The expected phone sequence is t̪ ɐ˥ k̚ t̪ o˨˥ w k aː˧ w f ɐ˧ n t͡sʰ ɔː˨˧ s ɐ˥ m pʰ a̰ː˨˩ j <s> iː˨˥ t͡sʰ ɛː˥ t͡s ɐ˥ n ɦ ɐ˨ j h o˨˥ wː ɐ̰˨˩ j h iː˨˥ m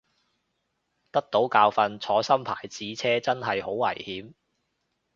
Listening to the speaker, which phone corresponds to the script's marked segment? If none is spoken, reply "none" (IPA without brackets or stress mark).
t͡s